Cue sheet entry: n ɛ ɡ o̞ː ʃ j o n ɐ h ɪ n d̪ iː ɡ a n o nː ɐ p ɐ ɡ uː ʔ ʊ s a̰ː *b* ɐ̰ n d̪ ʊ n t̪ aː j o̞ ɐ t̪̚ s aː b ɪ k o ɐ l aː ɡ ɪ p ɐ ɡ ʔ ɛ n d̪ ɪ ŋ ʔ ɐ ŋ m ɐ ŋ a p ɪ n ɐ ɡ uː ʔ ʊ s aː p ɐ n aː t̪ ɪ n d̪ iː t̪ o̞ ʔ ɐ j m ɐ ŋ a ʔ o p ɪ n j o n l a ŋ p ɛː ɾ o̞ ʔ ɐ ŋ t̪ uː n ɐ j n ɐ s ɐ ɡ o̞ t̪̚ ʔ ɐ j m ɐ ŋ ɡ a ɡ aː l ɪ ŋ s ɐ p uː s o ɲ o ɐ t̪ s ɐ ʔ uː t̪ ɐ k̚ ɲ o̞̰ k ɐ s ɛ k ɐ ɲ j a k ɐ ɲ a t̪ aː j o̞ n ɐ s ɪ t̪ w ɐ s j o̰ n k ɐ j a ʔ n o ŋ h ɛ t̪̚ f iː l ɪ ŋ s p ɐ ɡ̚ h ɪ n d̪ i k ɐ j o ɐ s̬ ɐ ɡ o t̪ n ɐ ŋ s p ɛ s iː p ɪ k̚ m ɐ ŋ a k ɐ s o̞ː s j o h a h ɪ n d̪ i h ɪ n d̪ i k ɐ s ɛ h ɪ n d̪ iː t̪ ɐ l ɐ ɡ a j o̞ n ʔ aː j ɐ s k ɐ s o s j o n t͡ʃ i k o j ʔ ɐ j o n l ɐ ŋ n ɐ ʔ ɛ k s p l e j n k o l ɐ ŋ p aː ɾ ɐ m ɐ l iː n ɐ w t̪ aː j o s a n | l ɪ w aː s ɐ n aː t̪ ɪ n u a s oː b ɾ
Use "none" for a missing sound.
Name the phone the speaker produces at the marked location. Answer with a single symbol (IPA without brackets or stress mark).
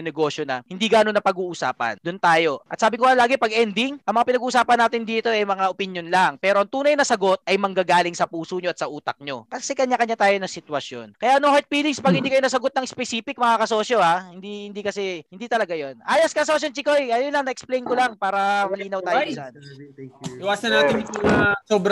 p